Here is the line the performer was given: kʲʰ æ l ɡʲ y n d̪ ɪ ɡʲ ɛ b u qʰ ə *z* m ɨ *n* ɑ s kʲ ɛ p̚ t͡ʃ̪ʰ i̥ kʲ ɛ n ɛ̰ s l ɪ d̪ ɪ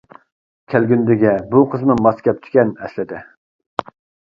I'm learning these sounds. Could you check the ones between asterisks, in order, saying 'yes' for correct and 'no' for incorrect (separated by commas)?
yes, no